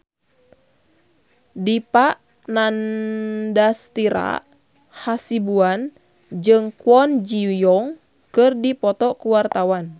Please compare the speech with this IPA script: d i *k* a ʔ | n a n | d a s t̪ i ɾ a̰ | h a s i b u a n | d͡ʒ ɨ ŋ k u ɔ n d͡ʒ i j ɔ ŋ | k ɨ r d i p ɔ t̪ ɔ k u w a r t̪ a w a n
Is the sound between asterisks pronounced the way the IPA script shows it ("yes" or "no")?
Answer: no